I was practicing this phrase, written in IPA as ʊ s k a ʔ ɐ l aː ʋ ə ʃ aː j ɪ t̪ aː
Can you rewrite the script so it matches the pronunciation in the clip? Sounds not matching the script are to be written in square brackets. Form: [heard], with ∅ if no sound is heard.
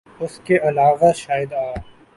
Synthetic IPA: ʊ s k [e] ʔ ɐ l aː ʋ [a] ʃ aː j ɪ [d̪] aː